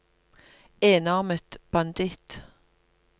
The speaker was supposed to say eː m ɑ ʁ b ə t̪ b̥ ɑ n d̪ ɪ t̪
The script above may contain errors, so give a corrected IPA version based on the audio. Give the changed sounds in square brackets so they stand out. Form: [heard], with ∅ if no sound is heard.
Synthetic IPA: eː [n] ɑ ʁ [m] ə t̪ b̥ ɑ n d̪ ɪ t̪